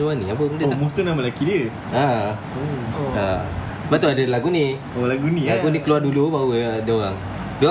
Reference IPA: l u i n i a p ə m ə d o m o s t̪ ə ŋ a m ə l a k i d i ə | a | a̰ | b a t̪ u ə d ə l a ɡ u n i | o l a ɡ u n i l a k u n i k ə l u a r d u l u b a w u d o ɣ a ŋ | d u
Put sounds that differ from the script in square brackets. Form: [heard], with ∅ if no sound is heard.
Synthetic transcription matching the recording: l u [a] n i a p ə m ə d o m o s t̪ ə [n] a m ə l a k i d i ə | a | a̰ | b a t̪ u [a] d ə l a ɡ u n i | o l a ɡ u n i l a [ɡ] u n i k ə l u a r d u l u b a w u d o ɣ a ŋ | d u